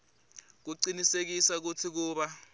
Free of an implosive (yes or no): no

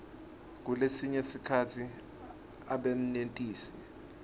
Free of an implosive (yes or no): no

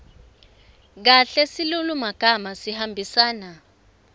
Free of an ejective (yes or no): yes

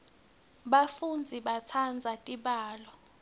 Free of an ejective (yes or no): no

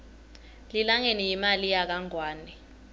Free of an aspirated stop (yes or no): yes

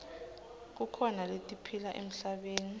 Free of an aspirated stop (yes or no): no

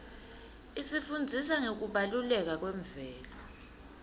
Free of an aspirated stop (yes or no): yes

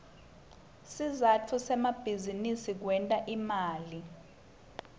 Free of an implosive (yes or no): yes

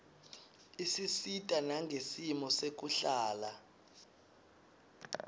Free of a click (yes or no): yes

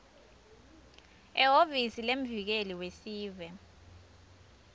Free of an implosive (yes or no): yes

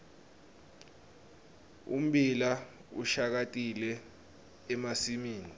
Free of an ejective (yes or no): no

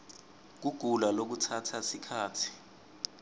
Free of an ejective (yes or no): yes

